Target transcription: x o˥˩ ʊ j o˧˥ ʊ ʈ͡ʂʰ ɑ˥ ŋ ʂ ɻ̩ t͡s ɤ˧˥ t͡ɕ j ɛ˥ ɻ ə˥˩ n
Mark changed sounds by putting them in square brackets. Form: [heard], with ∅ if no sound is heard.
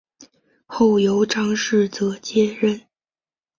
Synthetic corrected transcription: x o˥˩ ʊ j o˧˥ ʊ [ʈ͡ʂ] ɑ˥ ŋ ʂ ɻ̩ t͡s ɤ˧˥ t͡ɕ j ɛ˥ ɻ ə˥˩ n